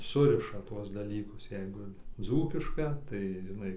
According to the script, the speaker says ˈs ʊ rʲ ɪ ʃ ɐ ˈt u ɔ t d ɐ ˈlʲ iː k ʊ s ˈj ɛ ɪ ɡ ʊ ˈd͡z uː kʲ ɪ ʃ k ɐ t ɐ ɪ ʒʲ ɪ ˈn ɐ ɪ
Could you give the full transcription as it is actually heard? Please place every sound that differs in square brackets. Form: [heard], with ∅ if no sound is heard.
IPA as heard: ˈs ʊ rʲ ɪ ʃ ɐ ˈt u ɔ [s] d ɐ ˈlʲ iː k ʊ s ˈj ɛ ɪ ɡ ʊ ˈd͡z uː kʲ ɪ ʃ k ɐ t ɐ ɪ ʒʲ ɪ ˈn ɐ ɪ